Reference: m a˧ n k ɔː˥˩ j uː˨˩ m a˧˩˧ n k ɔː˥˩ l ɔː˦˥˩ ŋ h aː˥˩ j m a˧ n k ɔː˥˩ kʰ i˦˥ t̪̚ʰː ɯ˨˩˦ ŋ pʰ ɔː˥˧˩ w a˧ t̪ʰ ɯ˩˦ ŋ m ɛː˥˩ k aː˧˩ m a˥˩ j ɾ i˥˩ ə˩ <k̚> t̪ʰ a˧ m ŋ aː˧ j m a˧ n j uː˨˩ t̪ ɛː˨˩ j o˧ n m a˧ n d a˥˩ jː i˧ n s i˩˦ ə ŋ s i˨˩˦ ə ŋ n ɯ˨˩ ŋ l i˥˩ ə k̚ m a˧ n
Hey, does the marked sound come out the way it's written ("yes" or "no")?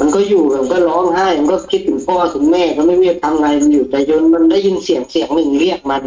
yes